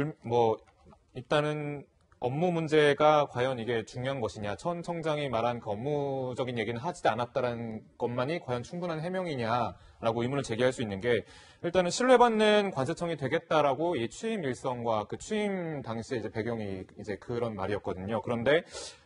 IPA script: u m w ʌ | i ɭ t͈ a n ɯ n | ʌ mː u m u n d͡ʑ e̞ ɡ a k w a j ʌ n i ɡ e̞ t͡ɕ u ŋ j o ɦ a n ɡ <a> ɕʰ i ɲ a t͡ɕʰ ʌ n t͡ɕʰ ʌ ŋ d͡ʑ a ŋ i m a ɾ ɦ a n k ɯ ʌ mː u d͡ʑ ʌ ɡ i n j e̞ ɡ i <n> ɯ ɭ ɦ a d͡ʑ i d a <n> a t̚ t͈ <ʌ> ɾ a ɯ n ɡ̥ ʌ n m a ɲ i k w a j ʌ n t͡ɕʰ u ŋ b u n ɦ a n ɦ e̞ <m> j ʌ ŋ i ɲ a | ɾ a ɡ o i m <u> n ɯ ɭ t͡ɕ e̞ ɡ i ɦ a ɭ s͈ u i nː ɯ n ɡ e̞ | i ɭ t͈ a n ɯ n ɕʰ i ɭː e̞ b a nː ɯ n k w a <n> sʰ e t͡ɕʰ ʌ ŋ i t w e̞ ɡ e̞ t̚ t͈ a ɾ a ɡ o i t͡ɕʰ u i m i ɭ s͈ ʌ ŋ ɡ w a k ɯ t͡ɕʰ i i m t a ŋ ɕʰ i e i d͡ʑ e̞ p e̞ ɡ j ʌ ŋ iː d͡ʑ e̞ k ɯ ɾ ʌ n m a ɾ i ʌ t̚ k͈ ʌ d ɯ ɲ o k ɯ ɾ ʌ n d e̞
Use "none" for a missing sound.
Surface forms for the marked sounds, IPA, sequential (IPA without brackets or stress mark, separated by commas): ʌ, n, n, a, m, u, n